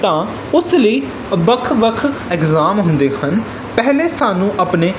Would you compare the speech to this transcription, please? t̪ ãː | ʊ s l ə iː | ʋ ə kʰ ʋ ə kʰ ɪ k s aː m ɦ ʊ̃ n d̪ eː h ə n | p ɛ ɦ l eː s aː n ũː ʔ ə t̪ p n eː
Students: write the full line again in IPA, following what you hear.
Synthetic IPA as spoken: t̪ ãː | ʊ s l ə iː | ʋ ə kʰ ʋ ə kʰ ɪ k z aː m ɦ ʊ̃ n d̪ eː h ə n | p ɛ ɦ l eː s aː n ũː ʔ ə p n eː